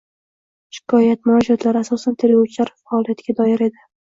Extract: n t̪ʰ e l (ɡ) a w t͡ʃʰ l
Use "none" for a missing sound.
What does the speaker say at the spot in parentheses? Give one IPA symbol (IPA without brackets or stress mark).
ɡ